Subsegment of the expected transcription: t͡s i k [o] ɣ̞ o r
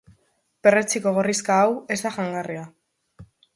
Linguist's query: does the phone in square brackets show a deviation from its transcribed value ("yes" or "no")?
no